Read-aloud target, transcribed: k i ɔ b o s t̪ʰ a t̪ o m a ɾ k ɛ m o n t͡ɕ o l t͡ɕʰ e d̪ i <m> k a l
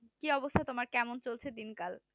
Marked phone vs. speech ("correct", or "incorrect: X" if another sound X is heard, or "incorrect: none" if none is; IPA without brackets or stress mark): incorrect: n